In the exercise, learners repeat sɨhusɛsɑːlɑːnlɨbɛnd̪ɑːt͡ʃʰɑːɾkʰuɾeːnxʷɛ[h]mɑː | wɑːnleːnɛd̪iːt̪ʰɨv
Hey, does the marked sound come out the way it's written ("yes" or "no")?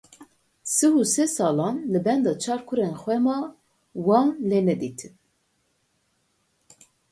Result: no